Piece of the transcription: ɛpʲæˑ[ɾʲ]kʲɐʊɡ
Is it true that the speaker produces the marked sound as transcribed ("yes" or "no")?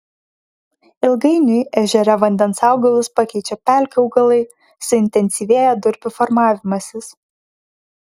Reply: no